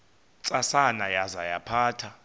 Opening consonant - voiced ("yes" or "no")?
no